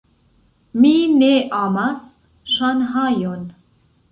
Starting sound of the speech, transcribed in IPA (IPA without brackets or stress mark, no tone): m